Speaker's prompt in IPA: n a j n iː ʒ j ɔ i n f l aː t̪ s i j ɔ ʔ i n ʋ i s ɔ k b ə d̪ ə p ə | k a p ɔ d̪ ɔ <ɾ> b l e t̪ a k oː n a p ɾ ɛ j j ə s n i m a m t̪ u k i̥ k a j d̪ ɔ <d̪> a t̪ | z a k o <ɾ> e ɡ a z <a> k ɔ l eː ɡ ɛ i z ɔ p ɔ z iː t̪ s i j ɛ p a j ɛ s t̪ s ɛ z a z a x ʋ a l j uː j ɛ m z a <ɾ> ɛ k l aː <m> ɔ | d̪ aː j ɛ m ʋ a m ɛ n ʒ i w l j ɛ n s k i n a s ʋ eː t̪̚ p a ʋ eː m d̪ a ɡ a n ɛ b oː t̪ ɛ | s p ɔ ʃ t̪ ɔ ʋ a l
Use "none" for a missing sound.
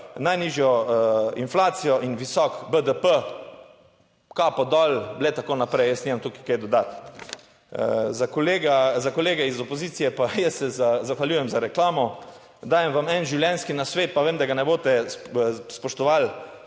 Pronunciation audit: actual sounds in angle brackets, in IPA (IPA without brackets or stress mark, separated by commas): l, d̪, l, a, ɾ, m